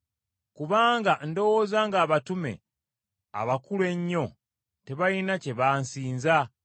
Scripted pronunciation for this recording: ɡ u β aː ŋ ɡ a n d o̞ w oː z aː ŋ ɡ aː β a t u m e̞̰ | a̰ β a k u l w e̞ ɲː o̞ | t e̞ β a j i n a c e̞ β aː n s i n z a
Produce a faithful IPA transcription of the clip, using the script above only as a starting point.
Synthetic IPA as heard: k u β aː ŋ ɡ a n d o̞ w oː z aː ŋ ɡ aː β a t u m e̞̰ | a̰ β a k u l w e̞ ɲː o̞ | t e̞ β a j i n a c e̞ β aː n s iː n z a